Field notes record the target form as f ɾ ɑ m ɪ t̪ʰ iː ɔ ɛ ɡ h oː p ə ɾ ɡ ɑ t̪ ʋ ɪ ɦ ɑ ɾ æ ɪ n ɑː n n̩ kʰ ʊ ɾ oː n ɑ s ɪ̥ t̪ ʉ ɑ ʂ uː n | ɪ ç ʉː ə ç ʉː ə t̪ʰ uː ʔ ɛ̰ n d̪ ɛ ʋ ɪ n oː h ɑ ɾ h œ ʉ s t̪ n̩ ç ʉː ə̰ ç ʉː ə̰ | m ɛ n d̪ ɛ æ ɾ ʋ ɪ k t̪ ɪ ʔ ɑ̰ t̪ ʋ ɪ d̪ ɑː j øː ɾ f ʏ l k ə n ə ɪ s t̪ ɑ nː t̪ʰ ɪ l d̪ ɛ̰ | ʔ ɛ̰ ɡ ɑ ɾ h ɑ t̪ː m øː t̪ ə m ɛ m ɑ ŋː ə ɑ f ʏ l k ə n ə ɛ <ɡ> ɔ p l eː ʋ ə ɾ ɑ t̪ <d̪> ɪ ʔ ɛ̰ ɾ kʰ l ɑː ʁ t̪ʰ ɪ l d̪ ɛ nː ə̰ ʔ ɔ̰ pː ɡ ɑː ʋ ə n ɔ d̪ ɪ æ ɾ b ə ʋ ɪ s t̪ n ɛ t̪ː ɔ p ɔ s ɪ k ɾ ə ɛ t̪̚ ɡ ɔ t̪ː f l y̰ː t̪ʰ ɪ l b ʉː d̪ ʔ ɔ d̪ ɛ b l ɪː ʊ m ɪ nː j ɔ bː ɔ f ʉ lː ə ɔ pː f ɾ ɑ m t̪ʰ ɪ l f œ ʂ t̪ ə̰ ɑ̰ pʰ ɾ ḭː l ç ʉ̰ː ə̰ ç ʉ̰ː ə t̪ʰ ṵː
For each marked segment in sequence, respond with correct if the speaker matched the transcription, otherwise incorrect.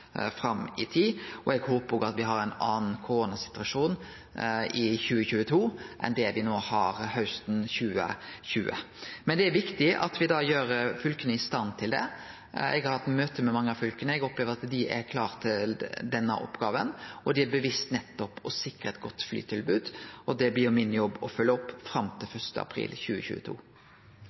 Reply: correct, correct

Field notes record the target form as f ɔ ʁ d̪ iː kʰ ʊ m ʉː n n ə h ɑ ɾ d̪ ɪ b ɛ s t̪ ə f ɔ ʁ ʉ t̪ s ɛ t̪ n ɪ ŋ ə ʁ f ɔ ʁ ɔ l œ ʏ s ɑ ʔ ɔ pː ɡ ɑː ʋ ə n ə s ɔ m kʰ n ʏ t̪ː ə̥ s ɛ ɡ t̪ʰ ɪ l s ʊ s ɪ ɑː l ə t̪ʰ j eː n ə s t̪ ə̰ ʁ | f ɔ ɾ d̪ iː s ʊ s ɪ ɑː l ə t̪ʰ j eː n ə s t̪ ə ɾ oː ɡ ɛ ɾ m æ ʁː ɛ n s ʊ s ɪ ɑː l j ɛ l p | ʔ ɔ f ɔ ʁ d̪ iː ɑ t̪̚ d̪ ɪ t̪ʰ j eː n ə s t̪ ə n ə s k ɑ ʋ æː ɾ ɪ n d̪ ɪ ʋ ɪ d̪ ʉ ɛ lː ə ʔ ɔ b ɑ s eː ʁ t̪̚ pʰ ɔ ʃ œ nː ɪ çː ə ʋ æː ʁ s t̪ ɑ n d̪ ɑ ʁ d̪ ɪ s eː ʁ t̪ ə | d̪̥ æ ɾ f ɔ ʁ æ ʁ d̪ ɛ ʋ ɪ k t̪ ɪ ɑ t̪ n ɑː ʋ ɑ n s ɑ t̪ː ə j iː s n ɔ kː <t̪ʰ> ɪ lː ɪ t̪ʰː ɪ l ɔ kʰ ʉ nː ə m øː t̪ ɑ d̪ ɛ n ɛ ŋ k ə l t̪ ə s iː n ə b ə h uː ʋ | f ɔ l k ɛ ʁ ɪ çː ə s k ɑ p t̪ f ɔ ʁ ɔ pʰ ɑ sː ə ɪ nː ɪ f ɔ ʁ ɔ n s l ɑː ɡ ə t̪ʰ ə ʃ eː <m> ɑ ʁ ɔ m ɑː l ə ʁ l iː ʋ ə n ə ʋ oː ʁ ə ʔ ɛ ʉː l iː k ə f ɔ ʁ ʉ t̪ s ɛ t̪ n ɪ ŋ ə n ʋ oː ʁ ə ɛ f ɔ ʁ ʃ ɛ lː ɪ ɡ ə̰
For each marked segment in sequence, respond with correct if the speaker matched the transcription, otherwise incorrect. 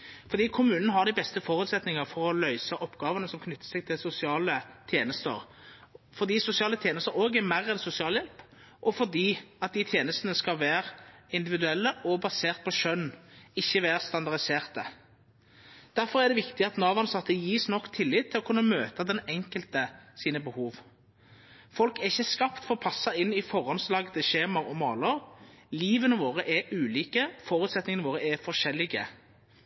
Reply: correct, correct

